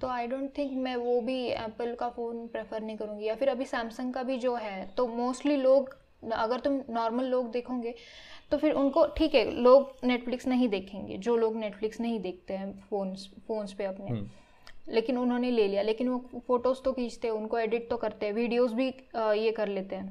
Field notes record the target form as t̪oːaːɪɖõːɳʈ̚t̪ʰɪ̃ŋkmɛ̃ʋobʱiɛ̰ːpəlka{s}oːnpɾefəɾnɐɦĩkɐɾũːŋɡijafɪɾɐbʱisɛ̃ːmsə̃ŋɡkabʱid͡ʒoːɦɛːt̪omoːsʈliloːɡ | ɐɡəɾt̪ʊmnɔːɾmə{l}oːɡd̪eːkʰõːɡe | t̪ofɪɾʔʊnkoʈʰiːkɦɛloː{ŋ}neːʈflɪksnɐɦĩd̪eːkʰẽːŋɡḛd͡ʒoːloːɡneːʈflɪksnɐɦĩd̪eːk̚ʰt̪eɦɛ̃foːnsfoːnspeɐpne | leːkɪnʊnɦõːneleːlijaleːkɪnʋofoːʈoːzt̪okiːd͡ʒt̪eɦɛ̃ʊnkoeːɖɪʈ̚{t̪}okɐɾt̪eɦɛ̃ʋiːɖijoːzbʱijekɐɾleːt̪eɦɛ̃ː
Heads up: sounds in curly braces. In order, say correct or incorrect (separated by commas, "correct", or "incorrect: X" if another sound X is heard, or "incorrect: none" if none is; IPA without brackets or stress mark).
incorrect: f, incorrect: lː, incorrect: ɡ, correct